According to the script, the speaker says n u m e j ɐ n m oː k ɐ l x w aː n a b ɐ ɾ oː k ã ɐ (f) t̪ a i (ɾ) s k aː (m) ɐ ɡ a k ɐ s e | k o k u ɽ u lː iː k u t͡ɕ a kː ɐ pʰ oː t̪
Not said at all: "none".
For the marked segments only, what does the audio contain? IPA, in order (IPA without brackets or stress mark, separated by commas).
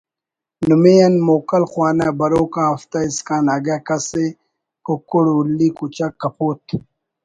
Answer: f, none, n